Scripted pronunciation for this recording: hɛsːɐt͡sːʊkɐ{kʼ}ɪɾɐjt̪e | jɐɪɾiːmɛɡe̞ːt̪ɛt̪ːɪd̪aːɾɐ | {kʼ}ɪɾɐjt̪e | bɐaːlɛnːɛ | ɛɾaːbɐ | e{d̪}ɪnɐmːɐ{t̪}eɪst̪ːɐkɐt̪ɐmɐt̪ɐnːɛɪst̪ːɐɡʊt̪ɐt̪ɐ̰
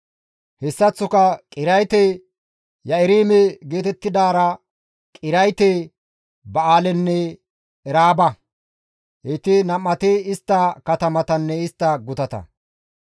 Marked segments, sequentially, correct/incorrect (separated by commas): correct, correct, incorrect, correct